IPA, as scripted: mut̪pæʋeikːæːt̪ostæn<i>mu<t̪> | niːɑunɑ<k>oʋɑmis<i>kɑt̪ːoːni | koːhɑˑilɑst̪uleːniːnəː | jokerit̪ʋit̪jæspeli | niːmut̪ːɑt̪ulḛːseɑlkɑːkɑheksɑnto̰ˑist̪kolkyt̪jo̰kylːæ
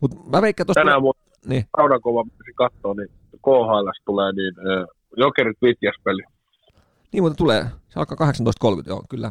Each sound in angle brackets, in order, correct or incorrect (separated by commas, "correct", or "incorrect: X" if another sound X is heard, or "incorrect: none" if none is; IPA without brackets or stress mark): incorrect: æ, incorrect: none, correct, correct